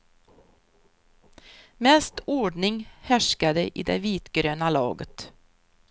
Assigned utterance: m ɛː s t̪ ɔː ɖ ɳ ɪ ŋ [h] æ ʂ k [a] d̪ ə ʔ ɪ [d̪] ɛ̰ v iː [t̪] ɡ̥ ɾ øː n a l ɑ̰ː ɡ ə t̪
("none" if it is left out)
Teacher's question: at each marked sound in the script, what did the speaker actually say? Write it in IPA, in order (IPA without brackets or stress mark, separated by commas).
h, a, d̪, t̪